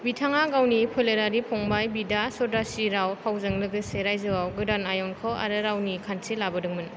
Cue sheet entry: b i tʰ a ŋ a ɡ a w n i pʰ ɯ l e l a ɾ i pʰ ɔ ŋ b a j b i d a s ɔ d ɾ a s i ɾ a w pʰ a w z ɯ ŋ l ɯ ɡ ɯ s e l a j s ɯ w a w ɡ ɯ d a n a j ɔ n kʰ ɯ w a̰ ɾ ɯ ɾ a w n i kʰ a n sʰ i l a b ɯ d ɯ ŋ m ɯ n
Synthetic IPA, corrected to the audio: b i tʰ a ŋ a ɡ a w n i pʰ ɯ l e ɾ a ɾ i pʰ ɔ ŋ b a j b i d a s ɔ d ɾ a s i ɾ a w pʰ a w z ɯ ŋ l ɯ ɡ ɯ s e ɾ a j z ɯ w a w ɡ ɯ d a n a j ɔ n kʰ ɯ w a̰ ɾ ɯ ɾ a w n i kʰ a n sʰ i l a b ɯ d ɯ ŋ m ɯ n

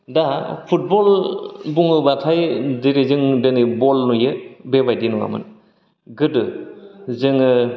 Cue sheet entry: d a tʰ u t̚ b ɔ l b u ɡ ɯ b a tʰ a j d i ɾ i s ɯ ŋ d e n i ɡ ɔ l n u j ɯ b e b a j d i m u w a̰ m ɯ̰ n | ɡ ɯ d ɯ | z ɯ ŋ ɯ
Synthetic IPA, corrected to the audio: d a pʰ u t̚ b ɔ l b u ŋ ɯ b a tʰ a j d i ɾ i z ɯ ŋ d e n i b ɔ l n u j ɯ b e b a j d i n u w a̰ m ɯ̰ n | ɡ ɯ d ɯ | z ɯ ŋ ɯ

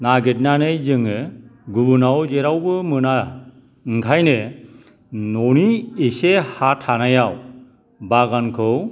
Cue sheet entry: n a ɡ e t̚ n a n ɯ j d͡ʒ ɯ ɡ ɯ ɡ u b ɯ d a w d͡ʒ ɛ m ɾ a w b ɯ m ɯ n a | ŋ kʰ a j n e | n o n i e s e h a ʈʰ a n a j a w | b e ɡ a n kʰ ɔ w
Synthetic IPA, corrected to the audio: n a ɡ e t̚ n a n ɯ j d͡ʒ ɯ ŋ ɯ ɡ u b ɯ n a w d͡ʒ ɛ ɾ a w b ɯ m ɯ n a | ŋ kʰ a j n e | n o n i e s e h a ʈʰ a n a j a w | b a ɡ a n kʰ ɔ w

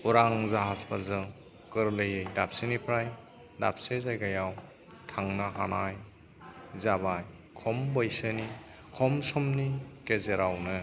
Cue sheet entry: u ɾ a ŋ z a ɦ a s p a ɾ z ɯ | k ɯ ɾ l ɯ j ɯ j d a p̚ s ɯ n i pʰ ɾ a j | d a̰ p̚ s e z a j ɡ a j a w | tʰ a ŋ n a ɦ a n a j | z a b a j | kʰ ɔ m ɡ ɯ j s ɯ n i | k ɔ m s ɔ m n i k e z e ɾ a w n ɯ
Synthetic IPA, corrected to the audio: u ɾ a ŋ z a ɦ a s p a ɾ z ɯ | k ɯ ɾ l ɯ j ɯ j d a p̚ s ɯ n i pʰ ɾ a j | d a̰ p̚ s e z a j ɡ a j a w | tʰ a ŋ n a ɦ a n a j | z a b a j | kʰ ɔ m b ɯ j s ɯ n i | kʰ ɔ m s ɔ m n i k e z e ɾ a w n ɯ

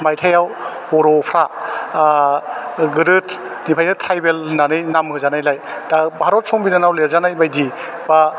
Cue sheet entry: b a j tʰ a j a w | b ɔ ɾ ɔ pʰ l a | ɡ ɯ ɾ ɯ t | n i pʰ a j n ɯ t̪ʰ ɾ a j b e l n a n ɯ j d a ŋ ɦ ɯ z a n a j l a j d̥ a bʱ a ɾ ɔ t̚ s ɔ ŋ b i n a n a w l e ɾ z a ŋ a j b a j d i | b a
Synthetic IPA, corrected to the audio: m a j tʰ a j a w | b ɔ ɾ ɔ pʰ ɾ a | ɡ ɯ ɾ ɯ t | n i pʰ a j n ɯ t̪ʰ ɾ a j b e l n a n ɯ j n a m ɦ ɯ z a n a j l a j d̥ a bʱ a ɾ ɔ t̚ s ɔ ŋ b i n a n a w l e ɾ z a n a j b a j d i | b a

